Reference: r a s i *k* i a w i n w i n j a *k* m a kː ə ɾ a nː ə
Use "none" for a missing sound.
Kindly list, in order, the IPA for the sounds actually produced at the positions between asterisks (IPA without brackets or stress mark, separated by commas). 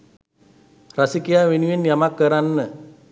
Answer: k, none